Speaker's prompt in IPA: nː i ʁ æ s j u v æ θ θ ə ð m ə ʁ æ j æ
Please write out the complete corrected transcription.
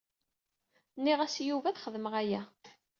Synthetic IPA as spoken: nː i ʁ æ s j u v æ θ χ ə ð m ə ʁ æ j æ